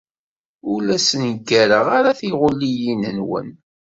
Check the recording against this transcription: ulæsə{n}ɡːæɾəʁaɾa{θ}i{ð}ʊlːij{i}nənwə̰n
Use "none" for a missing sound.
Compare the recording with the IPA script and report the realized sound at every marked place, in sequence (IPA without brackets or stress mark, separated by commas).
n, θ, ʁ, i